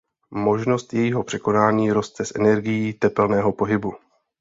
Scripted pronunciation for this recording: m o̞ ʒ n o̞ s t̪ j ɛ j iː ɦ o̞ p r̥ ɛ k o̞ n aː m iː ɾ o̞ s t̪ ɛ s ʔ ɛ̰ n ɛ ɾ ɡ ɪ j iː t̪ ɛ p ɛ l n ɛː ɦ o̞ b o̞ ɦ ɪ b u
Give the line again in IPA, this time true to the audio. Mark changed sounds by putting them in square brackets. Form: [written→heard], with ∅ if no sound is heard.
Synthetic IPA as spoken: m o̞ ʒ n o̞ s t̪ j ɛ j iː ɦ o̞ p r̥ ɛ k o̞ n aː [m→ɲ] iː ɾ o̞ s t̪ ɛ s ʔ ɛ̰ n ɛ ɾ ɡ ɪ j iː t̪ ɛ p ɛ l n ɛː ɦ o̞ [b→p] o̞ ɦ ɪ b u